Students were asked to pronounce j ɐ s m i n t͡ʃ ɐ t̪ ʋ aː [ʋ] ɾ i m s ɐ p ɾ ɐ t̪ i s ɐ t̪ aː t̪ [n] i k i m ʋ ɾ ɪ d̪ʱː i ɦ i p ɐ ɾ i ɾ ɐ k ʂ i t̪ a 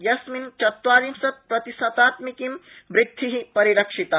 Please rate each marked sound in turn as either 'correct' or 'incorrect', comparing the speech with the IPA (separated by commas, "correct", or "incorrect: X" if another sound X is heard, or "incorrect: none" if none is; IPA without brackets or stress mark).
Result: incorrect: none, incorrect: m